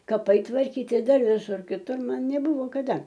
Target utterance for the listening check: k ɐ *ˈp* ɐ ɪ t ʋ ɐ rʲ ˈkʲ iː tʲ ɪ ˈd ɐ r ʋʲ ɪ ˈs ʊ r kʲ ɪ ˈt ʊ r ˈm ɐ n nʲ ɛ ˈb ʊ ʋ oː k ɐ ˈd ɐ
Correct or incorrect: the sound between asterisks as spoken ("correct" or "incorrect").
correct